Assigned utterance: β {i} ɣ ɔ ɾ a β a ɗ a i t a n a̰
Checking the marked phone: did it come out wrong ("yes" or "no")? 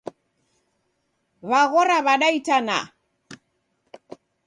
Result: yes